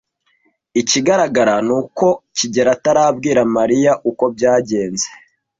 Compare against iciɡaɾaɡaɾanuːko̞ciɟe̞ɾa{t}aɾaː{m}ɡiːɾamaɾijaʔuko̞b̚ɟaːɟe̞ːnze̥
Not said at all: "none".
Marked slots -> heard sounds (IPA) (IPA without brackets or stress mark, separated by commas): t, b